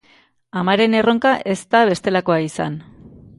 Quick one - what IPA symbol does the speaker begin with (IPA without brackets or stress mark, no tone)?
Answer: a